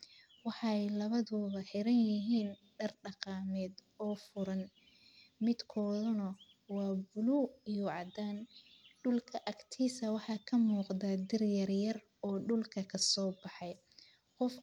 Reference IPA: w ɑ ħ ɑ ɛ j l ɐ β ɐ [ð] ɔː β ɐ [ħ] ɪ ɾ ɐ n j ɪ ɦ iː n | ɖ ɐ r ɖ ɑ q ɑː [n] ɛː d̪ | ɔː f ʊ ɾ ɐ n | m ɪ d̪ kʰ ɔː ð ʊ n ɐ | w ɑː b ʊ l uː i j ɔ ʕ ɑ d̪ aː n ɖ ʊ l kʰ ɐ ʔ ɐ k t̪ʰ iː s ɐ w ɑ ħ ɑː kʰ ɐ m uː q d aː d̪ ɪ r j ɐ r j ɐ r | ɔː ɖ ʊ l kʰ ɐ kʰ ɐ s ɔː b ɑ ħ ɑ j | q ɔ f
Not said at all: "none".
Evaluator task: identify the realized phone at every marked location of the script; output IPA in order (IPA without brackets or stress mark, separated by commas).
ð, ħ, m